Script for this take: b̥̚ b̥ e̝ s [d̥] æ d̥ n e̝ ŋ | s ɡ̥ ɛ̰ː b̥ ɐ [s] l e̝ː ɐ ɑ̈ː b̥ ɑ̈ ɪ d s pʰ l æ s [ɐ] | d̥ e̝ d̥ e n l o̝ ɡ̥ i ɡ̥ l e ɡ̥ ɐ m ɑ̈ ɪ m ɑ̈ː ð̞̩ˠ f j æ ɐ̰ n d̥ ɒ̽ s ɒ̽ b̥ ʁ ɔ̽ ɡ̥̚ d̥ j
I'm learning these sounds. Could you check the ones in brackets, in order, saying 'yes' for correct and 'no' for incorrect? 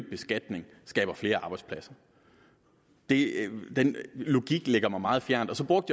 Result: no, no, yes

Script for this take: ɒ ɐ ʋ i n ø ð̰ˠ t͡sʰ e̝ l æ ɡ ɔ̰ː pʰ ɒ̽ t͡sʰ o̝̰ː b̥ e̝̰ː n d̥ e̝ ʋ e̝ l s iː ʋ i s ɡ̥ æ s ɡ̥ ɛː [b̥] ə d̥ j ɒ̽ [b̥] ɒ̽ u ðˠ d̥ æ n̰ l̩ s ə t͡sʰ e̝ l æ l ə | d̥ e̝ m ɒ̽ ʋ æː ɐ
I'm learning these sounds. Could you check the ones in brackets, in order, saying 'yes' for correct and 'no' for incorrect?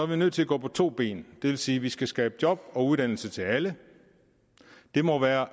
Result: yes, yes

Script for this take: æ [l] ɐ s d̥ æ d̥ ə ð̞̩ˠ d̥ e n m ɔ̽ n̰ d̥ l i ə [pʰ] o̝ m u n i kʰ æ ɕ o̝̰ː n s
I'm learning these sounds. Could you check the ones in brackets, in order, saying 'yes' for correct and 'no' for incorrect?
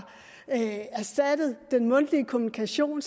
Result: no, no

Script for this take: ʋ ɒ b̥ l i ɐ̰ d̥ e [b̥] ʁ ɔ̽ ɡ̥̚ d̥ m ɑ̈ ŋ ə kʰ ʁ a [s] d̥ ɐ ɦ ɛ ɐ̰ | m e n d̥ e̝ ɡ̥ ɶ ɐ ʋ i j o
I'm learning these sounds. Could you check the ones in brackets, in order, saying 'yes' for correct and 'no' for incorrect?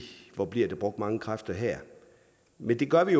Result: yes, no

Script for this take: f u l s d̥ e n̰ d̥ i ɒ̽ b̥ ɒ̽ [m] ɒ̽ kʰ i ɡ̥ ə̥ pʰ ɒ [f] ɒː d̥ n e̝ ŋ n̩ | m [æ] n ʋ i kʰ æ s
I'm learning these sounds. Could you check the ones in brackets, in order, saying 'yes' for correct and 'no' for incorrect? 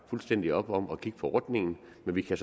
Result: yes, no, no

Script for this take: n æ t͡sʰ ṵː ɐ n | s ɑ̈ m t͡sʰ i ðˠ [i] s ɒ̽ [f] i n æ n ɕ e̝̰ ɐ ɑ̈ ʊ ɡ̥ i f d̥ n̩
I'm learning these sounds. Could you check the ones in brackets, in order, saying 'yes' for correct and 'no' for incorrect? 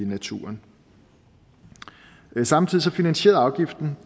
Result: yes, yes

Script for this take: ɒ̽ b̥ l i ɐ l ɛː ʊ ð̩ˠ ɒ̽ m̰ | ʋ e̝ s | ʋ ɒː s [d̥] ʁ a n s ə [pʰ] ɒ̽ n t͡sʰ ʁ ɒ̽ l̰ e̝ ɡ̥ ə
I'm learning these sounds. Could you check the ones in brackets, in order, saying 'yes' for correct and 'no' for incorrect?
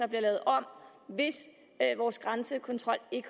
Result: no, no

